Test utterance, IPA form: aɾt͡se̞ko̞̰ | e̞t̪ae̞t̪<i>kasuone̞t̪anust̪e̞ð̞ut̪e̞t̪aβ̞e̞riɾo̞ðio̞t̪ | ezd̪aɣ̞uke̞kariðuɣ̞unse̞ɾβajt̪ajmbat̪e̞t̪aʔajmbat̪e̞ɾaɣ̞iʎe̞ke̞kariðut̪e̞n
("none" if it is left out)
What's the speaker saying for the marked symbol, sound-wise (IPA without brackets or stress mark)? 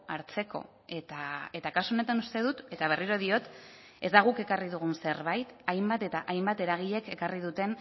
a